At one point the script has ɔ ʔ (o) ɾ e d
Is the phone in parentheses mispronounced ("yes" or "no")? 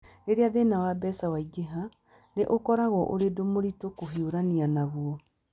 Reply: no